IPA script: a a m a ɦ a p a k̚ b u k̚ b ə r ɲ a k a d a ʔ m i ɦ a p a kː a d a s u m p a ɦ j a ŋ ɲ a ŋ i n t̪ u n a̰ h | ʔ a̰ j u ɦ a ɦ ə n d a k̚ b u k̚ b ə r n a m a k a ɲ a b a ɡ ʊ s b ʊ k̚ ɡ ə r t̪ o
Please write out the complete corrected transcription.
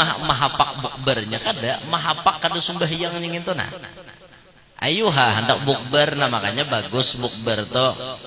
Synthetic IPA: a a m a ɦ a p a k̚ b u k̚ b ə r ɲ a k a d a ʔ m a ɦ a p a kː a d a s u m b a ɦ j a ŋ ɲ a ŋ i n t̪ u n a̰ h | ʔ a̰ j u ɦ a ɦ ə n d a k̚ b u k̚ b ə r n a m a k a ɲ a b a ɡ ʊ s b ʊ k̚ b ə r t̪ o